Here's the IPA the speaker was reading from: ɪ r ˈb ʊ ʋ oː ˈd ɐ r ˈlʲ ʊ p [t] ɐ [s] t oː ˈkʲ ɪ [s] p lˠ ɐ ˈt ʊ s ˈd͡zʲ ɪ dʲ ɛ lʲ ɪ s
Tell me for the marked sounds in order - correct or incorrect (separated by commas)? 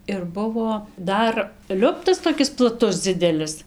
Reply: correct, correct, correct